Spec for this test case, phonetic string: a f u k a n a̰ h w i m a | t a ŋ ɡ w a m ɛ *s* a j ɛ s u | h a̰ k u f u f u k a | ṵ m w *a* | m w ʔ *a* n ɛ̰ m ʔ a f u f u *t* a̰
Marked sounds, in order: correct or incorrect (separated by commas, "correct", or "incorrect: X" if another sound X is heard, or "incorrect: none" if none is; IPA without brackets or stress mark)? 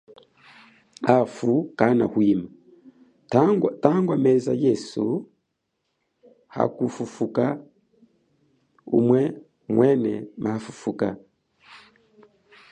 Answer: incorrect: z, incorrect: ɛ, incorrect: ɛ, incorrect: k